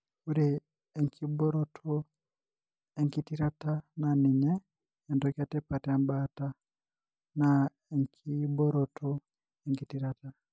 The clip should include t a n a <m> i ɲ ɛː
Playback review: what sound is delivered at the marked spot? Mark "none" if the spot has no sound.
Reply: n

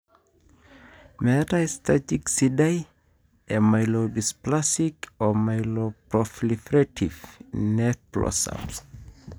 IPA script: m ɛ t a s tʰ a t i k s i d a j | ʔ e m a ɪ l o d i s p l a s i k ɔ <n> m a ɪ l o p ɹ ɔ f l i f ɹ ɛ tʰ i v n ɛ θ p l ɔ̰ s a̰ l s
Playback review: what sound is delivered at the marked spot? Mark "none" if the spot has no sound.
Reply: none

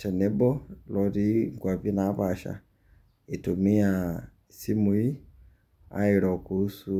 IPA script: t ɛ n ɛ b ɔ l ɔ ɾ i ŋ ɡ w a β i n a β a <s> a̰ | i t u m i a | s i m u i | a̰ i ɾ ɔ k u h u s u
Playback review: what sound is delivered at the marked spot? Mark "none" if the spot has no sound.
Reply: ʃ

